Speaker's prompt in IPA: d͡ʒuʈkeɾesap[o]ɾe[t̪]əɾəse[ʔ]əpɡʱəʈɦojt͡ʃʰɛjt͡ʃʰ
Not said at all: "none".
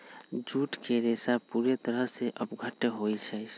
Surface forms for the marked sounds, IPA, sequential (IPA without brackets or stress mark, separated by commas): u, t̪, ʔ